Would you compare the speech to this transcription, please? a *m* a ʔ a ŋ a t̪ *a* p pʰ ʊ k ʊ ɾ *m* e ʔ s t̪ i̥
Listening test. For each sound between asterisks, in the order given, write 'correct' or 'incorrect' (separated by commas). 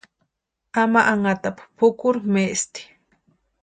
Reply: correct, correct, correct